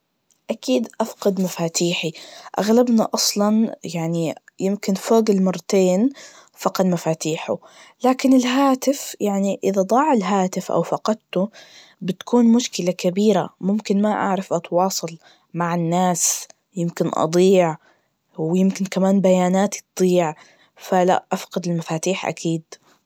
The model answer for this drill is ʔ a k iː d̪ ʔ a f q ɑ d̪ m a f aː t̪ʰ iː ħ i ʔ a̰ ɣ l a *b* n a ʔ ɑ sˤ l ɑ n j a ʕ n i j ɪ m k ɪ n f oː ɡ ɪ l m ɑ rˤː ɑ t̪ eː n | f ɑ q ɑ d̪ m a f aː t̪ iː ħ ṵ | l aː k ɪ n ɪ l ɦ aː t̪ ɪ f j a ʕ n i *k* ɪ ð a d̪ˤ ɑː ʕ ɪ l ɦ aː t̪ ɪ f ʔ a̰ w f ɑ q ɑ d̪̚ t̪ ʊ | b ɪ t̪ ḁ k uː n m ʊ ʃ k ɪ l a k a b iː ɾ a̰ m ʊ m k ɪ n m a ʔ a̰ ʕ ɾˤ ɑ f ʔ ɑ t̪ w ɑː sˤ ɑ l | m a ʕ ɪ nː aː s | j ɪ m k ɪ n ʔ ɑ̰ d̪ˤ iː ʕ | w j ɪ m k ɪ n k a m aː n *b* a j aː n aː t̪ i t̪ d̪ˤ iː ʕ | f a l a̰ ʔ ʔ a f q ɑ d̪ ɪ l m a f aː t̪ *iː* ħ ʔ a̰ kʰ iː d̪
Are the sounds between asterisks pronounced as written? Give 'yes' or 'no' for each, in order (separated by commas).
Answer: yes, no, yes, yes